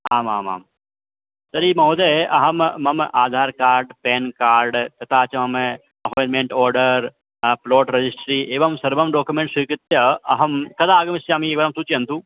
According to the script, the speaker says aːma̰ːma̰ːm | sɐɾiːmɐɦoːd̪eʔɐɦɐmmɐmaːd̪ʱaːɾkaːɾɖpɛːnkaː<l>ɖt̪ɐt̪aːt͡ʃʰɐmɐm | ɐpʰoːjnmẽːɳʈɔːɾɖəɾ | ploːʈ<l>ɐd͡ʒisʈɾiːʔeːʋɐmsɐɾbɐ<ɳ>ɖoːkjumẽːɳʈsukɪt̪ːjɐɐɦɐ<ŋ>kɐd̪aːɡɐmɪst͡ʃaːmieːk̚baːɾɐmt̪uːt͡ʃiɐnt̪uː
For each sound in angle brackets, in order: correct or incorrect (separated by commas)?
incorrect, incorrect, incorrect, incorrect